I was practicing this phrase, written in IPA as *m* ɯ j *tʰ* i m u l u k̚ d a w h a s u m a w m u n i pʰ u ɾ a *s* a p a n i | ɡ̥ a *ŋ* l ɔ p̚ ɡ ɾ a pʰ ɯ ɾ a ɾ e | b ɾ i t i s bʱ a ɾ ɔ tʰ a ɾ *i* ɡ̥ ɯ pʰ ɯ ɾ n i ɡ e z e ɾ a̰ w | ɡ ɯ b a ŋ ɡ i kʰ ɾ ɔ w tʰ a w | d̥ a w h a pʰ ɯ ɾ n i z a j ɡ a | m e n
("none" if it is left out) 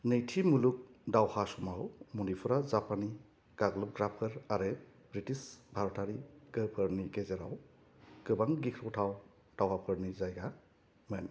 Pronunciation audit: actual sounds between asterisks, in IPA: n, tʰ, z, ɡ, i

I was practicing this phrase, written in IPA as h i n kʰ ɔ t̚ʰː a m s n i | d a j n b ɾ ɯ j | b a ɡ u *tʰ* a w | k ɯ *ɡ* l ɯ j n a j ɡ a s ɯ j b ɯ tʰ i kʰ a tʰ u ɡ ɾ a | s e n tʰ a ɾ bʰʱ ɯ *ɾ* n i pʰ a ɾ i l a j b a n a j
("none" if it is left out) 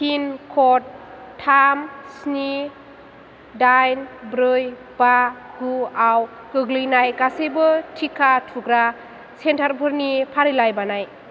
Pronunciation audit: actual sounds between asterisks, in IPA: none, ɡ, ɾ

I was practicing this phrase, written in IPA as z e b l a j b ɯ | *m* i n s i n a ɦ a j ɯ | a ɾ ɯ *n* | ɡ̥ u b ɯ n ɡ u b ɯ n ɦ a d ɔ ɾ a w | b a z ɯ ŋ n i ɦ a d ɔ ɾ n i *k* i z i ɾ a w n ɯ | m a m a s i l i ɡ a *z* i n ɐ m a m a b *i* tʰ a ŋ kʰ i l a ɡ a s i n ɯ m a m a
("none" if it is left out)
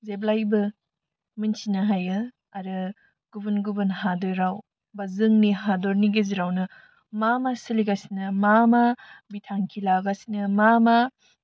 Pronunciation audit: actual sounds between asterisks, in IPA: m, none, ɡ, s, i

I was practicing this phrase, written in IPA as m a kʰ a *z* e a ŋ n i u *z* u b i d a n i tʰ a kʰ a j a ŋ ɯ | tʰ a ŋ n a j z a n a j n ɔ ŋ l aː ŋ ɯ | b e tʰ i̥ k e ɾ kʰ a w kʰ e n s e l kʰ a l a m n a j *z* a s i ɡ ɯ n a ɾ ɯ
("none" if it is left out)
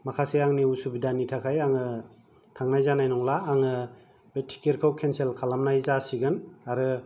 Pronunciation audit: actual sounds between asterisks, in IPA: s, s, z

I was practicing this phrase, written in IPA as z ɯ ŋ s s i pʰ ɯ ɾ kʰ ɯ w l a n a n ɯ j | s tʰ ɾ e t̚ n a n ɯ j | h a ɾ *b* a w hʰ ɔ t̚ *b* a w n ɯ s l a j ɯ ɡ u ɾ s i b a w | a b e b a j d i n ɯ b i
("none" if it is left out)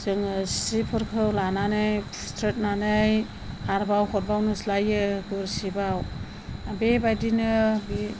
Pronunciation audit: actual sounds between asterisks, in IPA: b, b

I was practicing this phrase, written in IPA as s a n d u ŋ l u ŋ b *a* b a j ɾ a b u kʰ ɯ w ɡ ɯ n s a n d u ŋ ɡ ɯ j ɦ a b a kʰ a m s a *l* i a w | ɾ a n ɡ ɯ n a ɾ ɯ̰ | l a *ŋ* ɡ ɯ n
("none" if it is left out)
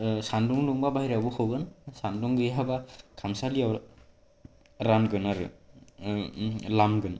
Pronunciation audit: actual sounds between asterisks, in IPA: a, l, m

